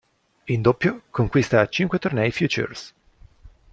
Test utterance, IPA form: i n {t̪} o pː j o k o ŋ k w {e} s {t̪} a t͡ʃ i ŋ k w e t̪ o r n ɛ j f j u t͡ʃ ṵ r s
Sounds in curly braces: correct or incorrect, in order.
incorrect: d̪, incorrect: i, correct

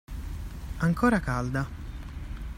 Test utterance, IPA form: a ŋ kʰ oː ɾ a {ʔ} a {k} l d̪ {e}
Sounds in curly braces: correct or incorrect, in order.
incorrect: k, incorrect: none, incorrect: a

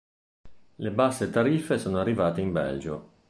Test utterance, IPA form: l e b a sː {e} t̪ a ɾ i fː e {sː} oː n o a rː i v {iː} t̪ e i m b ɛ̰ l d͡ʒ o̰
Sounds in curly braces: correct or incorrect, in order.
correct, incorrect: s, incorrect: aː

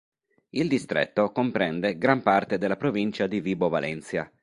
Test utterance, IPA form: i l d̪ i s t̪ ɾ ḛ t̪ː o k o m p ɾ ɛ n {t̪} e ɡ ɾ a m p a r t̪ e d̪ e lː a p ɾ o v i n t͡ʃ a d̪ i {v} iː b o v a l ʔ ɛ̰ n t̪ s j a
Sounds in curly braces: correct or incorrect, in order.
incorrect: d̪, correct

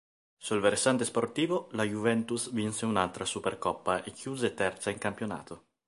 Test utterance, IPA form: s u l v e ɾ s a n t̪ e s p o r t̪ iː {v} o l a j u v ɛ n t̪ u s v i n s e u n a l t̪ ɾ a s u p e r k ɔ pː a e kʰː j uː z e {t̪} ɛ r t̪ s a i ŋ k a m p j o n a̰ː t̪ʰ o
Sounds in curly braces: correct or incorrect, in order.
correct, correct

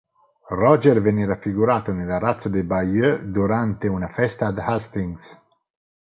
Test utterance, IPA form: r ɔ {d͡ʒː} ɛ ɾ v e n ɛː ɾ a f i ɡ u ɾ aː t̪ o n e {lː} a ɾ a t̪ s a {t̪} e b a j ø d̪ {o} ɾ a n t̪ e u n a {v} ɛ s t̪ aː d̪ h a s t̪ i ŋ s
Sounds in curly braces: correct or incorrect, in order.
incorrect: d͡ʒ, incorrect: l, incorrect: d̪, incorrect: u, incorrect: f

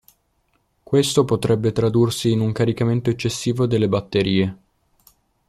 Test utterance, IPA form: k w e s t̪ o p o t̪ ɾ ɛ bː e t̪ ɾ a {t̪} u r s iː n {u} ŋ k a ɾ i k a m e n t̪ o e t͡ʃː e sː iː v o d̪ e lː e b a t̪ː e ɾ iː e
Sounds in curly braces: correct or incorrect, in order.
incorrect: d̪, correct

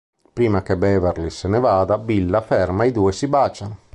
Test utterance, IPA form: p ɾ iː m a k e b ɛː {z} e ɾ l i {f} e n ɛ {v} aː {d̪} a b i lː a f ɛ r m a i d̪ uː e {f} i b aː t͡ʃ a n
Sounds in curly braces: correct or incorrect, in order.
incorrect: v, incorrect: s, correct, correct, incorrect: s

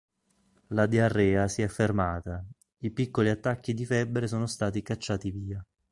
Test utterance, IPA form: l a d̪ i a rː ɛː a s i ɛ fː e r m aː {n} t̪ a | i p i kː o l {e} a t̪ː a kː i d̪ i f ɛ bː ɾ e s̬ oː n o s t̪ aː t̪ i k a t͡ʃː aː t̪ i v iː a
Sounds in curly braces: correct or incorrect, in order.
incorrect: none, incorrect: i

